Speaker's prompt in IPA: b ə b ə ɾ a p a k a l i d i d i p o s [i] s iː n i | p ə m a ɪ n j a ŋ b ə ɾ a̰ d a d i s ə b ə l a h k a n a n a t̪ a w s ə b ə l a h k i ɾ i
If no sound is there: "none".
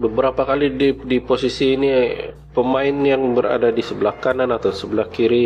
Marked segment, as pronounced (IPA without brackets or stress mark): i